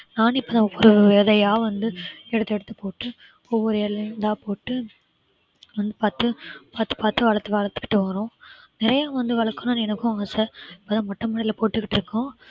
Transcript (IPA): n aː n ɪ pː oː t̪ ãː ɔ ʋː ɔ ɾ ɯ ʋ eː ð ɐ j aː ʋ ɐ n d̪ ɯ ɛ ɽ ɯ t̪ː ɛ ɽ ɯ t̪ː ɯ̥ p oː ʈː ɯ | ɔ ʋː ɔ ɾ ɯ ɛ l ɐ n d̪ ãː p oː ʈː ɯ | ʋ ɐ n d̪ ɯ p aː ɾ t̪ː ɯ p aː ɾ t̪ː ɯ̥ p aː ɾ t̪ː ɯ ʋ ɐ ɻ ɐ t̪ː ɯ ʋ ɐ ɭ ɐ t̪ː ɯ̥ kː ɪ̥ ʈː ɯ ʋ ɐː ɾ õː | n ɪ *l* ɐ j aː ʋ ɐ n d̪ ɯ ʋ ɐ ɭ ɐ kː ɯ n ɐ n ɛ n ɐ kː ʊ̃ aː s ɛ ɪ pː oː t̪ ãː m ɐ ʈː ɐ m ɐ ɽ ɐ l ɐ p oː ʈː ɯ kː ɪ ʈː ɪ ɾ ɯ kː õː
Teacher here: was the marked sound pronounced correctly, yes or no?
no